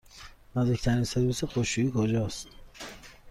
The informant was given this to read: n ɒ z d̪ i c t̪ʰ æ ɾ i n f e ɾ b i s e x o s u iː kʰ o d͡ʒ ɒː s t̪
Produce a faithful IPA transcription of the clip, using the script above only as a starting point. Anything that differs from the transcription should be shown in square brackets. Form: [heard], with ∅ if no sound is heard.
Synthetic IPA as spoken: n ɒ z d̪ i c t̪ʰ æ ɾ i n [s] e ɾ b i s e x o [ʃ] u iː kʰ o d͡ʒ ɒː s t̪